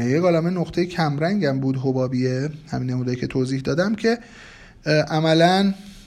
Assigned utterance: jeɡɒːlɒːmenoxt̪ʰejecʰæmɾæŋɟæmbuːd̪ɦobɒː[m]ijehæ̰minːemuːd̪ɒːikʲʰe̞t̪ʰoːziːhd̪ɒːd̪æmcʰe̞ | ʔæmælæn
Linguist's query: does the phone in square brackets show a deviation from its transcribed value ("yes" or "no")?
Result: yes